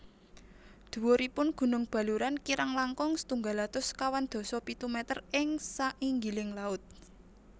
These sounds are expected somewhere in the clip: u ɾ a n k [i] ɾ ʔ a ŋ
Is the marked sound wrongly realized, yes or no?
no